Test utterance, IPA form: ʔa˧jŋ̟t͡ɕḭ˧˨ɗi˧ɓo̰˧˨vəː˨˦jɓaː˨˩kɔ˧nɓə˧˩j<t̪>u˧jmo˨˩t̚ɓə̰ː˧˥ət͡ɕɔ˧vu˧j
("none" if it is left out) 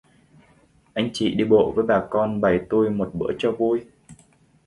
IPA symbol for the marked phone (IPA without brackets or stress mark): t̪